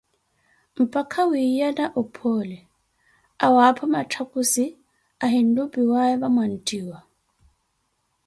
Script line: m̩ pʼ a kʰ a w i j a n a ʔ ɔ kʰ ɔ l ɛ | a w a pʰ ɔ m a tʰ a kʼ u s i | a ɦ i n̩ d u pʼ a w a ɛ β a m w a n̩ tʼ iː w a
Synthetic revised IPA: m̩ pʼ a kʰ a w i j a n a ʔ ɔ pʰ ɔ l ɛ | a w a pʰ ɔ m a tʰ a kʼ u s i | a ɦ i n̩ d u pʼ i w a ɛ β a m w a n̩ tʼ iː w a